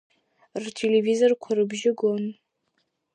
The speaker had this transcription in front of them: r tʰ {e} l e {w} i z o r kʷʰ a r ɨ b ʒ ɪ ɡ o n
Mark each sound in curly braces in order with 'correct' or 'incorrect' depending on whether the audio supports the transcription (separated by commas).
correct, incorrect